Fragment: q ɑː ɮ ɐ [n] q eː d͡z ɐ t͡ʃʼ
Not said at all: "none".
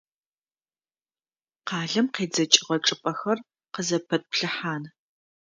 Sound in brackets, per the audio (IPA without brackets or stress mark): m